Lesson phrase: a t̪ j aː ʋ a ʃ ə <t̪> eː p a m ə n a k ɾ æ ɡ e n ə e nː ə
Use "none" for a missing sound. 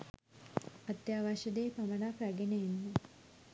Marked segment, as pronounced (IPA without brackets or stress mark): d̪